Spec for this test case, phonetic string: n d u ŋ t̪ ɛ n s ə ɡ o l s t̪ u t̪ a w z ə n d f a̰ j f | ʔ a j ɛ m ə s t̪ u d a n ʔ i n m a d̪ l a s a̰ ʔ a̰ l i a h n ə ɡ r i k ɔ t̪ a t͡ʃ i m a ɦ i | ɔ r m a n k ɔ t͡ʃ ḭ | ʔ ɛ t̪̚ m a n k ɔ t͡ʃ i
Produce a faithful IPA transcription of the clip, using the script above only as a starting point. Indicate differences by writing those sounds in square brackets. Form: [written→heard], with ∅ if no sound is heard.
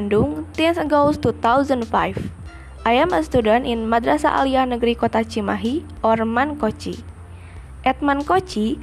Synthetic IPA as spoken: n d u ŋ t̪ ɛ n s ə ɡ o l s t̪ u t̪ a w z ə n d f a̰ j f | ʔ a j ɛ m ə s t̪ u d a n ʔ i n m a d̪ [l→ɾ] a s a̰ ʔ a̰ l i a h n ə ɡ [r→ɾ] i k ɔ t̪ a t͡ʃ i m a ɦ i | ɔ r m a n k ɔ t͡ʃ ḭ | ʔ ɛ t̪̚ m a n k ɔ t͡ʃ i